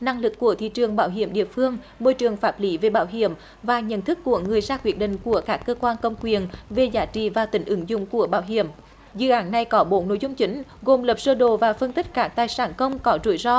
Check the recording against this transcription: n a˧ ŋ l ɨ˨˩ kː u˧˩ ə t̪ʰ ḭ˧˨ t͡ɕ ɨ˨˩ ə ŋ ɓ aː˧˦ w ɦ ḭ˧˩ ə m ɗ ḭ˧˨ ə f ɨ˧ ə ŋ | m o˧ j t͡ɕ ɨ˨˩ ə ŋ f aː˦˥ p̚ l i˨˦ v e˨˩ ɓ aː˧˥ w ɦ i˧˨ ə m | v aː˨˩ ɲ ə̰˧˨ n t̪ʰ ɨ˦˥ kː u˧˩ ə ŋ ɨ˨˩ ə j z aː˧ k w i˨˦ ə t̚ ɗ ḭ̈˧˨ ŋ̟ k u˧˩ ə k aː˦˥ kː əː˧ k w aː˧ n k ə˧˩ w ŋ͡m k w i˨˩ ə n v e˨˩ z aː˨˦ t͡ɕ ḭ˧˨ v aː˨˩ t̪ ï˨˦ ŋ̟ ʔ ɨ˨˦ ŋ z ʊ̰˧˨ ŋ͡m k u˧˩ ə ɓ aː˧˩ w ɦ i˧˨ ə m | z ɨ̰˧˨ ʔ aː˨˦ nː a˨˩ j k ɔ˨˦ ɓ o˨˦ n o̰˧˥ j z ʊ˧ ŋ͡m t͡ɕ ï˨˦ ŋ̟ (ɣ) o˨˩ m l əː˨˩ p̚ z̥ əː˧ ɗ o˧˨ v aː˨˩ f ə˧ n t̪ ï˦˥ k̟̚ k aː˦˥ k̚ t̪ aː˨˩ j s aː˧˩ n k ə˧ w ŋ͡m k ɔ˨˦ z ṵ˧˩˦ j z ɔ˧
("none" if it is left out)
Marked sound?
ɣ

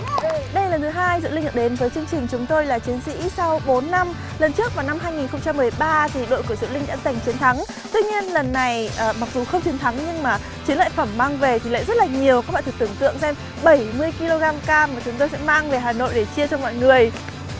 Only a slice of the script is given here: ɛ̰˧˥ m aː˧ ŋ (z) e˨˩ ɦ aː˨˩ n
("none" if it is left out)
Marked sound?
v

